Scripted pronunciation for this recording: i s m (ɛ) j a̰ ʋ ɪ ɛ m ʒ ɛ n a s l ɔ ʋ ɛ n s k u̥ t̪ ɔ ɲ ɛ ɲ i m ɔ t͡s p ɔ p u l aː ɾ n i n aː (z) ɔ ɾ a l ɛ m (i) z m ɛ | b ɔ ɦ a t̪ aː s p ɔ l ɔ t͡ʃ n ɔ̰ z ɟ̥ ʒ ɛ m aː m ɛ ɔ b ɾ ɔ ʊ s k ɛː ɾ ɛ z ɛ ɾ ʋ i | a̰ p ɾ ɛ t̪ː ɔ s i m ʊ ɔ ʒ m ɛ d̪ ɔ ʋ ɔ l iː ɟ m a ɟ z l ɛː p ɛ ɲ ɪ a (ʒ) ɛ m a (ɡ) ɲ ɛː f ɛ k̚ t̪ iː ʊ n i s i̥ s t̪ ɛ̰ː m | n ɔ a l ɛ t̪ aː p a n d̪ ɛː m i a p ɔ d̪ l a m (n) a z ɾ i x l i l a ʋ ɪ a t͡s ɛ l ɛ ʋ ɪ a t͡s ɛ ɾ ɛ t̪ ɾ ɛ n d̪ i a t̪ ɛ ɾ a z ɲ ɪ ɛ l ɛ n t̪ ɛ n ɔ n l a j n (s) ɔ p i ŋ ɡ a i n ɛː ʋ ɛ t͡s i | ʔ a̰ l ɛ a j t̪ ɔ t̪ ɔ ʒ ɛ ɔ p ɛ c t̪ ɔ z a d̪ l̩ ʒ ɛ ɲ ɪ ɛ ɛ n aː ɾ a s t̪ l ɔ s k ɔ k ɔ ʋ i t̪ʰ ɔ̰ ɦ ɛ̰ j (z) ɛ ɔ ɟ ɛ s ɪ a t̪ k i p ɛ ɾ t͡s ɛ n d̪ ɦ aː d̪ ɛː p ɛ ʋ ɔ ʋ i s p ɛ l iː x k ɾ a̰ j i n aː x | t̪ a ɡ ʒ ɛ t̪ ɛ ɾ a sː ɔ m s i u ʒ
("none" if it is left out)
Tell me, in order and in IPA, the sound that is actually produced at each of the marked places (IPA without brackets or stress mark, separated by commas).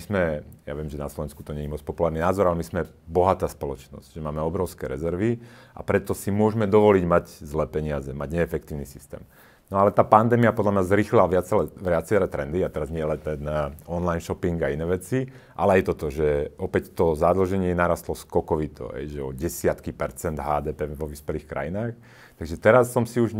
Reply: ɛ, z, i, z, ɟ, ɲ, ʃ, ʒ